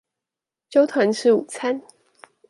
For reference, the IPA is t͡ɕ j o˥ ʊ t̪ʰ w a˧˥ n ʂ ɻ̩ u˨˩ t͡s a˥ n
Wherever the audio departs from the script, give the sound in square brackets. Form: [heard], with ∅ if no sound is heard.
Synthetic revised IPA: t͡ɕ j o˥ ʊ t̪ʰ w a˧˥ n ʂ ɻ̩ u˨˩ [t͡sʰ] a˥ n